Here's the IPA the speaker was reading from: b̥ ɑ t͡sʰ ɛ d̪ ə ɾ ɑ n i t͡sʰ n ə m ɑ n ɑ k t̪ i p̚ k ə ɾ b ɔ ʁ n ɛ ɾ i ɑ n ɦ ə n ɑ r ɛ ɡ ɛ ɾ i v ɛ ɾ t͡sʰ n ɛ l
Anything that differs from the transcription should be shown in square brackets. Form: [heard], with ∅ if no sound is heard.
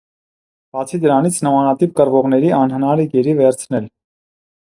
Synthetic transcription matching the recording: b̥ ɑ t͡sʰ [i] d̪ ə ɾ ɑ n i t͡sʰ n ə m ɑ n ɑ [∅] t̪ i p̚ k ə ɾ [v] ɔ ʁ n ɛ ɾ i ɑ n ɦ ə n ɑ [ɾ] ɛ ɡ ɛ ɾ i v ɛ ɾ t͡sʰ n ɛ l